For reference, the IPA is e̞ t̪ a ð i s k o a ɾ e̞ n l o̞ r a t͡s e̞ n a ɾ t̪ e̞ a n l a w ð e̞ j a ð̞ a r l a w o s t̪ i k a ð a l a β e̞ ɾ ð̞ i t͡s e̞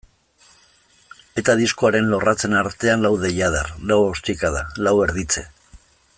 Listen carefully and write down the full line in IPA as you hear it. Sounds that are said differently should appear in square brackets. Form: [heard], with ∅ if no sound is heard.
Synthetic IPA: e̞ t̪ a ð i s k o a ɾ e̞ n l o̞ r a t͡s e̞ n a ɾ t̪ e̞ a n l a w ð e̞ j a ð̞ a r l a w o s t̪ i k a ð a l a [w] e̞ ɾ ð̞ i t͡s e̞